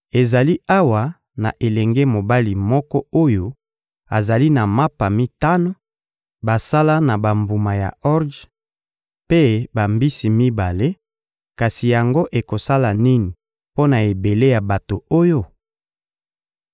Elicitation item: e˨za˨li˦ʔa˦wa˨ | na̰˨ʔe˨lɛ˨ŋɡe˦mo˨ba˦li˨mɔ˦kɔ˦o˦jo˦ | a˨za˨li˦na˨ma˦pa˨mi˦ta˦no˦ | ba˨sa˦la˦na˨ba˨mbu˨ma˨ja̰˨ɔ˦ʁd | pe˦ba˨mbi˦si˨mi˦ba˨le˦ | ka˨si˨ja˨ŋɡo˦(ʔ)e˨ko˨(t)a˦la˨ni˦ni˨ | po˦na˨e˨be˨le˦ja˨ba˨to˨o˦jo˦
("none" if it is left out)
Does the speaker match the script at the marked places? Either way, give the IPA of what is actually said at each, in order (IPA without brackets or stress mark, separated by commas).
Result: ʔ, s